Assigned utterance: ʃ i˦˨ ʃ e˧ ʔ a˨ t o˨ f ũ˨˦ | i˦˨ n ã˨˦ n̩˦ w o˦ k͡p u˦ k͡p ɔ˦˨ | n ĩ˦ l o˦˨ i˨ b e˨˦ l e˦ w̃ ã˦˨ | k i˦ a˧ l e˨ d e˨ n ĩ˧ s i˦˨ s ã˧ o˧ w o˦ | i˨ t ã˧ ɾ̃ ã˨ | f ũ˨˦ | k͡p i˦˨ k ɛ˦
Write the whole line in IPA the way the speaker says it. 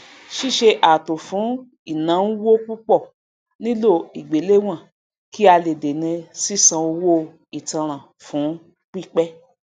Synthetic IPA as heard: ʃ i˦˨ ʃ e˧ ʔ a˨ t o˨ f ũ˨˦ | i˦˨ n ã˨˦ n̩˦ w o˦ k͡p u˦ k͡p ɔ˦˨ | n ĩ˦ l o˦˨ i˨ ɡ͡b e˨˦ l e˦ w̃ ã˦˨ | k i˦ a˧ l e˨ d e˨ n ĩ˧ s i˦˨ s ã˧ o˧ w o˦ | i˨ t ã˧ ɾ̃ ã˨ | f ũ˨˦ | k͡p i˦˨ k͡p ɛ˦